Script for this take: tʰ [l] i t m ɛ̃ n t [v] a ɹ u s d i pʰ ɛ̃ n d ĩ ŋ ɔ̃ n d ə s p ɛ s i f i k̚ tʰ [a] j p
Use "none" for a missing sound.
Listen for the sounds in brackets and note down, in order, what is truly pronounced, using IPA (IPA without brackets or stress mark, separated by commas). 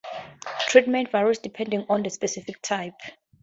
ɹ, v, a